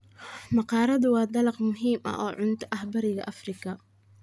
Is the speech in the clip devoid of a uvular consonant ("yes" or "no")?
no